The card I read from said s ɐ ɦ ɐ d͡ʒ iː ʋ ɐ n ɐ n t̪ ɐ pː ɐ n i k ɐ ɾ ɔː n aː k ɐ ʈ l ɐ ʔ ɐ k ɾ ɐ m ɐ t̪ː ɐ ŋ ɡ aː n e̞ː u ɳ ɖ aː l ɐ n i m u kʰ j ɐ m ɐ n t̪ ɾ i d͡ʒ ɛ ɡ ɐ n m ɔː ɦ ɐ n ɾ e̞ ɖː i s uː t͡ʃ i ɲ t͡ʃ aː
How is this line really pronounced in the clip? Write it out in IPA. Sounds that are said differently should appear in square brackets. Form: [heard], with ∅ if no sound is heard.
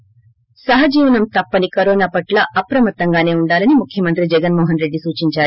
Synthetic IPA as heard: s ɐ ɦ ɐ d͡ʒ iː ʋ ɐ n ɐ [m] t̪ ɐ pː ɐ n i k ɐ ɾ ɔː n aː [p] ɐ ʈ l ɐ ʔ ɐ [p] ɾ ɐ m ɐ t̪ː ɐ ŋ ɡ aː n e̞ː u ɳ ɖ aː l ɐ n i m u kʰ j ɐ m ɐ n t̪ ɾ i d͡ʒ ɛ ɡ ɐ n m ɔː ɦ ɐ n ɾ e̞ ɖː i s uː t͡ʃ i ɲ t͡ʃ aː